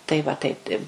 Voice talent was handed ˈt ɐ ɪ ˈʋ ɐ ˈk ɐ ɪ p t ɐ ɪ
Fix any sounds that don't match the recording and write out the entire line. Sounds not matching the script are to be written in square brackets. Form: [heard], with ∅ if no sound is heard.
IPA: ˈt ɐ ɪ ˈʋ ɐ [ˈt] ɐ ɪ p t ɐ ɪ